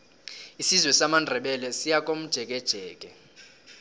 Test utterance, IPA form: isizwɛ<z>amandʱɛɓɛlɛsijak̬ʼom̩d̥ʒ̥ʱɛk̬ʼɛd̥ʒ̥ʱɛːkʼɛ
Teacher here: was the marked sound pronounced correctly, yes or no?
no